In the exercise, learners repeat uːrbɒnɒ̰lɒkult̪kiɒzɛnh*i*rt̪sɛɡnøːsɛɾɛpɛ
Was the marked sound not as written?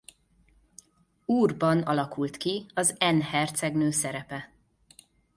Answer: yes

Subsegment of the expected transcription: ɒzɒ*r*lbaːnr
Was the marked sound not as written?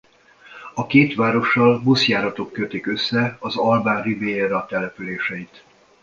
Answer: yes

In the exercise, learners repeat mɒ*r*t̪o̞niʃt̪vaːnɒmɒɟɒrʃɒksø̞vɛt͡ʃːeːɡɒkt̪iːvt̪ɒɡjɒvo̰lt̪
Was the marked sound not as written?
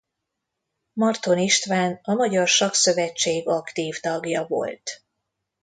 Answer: no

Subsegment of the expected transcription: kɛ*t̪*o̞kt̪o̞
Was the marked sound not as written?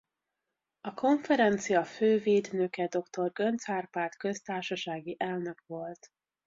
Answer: yes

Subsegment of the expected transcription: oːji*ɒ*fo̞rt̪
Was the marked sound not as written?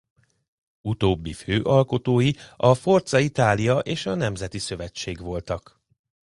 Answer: no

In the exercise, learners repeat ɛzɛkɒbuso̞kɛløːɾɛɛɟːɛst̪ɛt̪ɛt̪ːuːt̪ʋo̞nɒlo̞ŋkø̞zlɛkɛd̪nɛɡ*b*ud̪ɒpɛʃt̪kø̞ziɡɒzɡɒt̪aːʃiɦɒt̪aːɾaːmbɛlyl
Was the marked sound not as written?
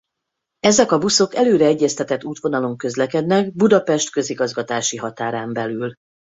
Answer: no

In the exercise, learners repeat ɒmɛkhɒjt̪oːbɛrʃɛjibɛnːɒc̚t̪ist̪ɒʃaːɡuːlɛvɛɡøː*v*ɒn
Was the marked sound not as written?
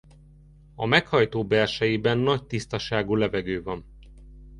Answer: no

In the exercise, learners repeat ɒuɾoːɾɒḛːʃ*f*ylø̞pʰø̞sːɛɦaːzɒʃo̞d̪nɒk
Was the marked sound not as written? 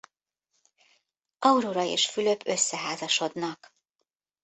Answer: no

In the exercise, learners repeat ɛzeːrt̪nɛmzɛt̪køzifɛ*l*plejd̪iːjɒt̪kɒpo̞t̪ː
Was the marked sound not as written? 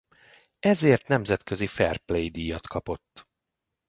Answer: yes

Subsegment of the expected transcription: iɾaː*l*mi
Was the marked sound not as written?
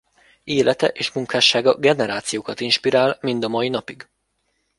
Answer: no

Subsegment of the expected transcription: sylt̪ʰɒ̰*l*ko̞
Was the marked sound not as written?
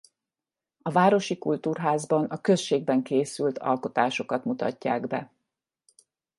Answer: no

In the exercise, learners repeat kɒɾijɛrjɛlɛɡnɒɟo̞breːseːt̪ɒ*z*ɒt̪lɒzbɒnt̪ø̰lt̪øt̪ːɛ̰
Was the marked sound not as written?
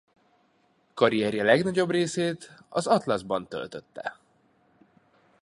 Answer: no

